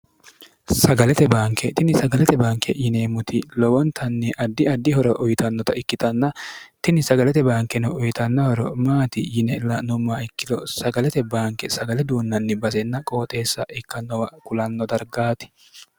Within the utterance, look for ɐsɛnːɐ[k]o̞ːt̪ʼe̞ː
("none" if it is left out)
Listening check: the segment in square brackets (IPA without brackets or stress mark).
kʼ